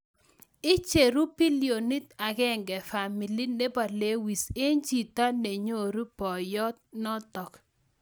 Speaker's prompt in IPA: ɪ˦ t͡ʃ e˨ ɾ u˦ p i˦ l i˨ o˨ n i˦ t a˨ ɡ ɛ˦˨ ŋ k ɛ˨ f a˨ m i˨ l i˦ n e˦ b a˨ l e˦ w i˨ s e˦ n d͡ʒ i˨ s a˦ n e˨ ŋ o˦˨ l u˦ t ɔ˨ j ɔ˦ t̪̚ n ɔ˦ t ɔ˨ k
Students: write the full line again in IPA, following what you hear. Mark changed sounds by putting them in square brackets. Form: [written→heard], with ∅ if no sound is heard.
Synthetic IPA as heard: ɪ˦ t͡ʃ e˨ ɾ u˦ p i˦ l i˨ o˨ n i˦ t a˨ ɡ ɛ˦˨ ŋ [k→ɡ] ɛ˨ f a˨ m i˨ l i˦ n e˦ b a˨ l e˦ w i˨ s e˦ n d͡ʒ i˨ [s→t] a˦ n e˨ [ŋ→ɲ] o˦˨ [l→ɾ] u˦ [t→p] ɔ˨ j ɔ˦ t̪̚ n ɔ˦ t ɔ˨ k

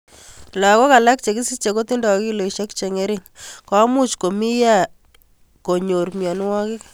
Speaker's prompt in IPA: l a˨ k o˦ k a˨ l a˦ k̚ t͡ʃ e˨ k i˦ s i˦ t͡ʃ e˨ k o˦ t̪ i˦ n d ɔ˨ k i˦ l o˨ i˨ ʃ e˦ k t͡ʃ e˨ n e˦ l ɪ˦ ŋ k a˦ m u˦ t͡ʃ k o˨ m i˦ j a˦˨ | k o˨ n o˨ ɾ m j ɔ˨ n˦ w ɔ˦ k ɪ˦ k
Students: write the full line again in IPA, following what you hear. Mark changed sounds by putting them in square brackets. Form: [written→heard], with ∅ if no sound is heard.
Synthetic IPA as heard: l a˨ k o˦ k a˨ l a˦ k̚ t͡ʃ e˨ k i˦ s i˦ t͡ʃ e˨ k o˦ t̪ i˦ n d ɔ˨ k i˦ l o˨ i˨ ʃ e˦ k t͡ʃ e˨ [n→ŋ] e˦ [l→ɾ] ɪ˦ ŋ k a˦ m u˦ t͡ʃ k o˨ m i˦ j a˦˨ | k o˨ [n→ɲ] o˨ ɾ m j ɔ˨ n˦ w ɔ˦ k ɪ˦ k

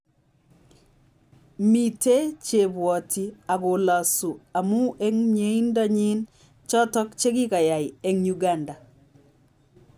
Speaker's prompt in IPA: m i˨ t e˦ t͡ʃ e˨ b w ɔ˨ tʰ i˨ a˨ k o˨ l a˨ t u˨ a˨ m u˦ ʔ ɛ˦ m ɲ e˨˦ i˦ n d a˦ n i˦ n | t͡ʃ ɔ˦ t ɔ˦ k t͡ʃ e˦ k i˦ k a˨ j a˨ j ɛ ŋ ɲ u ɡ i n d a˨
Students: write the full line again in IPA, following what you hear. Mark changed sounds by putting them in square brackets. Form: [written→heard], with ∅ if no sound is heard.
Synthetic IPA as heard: m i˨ t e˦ t͡ʃ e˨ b w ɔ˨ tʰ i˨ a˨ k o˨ l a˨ [t→s] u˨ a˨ m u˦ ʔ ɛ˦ [m→ŋ] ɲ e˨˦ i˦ n d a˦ [n→ɲ] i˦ n | t͡ʃ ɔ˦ t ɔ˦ k t͡ʃ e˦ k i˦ k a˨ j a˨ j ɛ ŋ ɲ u ɡ [i→a] n d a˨

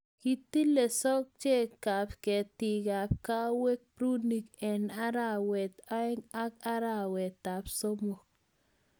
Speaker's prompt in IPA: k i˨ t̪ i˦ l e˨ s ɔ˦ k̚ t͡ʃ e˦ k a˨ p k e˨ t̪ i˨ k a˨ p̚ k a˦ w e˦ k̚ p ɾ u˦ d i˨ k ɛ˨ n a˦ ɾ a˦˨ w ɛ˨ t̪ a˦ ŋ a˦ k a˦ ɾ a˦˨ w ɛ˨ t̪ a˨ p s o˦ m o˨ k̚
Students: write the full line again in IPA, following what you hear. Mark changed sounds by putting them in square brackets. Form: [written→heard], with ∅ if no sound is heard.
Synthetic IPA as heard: k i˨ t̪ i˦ l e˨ s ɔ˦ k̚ t͡ʃ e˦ k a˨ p k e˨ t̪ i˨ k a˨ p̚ k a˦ w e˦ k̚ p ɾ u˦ [d→n] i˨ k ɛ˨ n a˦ ɾ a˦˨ w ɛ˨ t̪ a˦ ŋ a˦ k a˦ ɾ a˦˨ w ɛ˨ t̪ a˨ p s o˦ m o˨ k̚

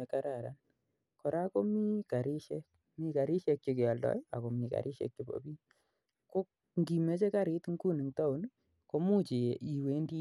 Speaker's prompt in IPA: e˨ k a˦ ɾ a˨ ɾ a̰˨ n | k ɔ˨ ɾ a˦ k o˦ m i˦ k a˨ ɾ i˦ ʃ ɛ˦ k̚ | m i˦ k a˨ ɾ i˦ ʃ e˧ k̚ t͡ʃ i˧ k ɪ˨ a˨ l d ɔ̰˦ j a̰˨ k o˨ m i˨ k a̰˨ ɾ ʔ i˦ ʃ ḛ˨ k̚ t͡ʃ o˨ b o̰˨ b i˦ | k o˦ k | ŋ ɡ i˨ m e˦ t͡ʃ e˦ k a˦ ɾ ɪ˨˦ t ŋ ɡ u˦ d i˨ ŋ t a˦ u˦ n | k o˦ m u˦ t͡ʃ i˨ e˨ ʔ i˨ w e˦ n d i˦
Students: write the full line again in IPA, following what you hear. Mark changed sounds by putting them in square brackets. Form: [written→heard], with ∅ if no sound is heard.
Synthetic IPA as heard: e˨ k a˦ ɾ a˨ ɾ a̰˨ n | k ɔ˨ ɾ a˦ k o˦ m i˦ k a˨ ɾ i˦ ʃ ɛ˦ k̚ | m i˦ k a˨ ɾ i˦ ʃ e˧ k̚ t͡ʃ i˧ k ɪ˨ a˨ l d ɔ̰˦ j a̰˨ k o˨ m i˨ k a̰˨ ɾ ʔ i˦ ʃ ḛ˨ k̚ t͡ʃ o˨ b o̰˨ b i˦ | k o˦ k | ŋ ɡ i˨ m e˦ t͡ʃ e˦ k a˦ ɾ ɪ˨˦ t ŋ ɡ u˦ [d→n] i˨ ŋ t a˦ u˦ n | k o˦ m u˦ t͡ʃ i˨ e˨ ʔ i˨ w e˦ n d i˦

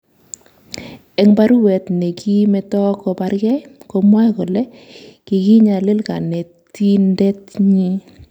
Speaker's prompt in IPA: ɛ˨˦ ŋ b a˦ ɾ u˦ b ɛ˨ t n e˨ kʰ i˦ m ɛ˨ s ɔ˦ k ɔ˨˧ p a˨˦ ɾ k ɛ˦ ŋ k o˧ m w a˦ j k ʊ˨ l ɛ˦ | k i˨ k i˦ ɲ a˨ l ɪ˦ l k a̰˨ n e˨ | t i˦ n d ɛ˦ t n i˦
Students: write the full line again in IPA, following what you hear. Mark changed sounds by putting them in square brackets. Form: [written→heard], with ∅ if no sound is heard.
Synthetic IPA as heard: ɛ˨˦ ŋ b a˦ ɾ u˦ [b→w] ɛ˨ t n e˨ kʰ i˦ m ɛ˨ [s→t] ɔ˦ k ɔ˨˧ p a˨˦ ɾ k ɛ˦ [ŋ→∅] k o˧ m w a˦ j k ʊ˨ l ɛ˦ | k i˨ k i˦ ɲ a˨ l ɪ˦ l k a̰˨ n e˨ | t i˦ n d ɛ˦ t [n→ɲ] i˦

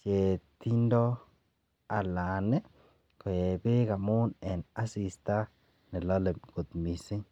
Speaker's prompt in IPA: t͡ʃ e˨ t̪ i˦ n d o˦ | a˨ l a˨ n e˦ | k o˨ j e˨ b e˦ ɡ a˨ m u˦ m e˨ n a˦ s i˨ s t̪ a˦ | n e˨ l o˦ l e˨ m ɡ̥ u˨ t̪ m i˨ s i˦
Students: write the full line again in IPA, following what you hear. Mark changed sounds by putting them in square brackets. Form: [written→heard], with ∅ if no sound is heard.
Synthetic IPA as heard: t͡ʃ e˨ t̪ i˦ n d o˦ | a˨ l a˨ n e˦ | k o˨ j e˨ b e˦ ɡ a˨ m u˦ [m→n] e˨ n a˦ s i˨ s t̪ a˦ | n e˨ l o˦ l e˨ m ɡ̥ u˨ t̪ m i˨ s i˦

